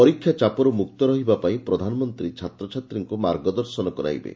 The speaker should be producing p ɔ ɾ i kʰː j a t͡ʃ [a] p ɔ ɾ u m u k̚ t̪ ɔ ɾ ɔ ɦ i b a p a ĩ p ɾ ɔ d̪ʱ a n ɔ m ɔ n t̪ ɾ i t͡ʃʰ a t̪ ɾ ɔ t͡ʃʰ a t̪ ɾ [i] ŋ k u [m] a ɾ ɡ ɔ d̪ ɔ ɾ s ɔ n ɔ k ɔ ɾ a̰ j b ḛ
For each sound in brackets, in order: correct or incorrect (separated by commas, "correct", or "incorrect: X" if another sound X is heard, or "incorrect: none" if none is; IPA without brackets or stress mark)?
correct, correct, correct